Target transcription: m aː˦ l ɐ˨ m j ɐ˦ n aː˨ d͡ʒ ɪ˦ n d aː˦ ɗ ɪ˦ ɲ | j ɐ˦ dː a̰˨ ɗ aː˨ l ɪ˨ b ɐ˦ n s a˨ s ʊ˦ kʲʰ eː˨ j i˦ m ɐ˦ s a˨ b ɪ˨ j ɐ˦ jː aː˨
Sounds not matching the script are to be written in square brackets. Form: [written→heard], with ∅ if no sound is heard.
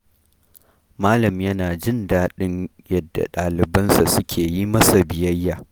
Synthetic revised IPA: m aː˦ l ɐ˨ m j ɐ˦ n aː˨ d͡ʒ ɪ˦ n d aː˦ ɗ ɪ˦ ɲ | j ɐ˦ dː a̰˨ ɗ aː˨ l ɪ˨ b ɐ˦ n s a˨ s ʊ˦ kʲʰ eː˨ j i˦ m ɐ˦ s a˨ b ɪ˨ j ɐ˦ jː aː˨